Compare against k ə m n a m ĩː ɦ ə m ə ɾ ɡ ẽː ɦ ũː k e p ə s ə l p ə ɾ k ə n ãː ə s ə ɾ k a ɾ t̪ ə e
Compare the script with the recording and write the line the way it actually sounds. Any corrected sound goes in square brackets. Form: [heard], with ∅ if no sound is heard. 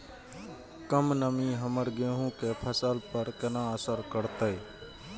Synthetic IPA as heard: k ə m n [ə] m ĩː ɦ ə m ə ɾ ɡ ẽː ɦ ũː k e [pʰ] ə s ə l p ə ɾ k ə n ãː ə s ə ɾ k [ə] ɾ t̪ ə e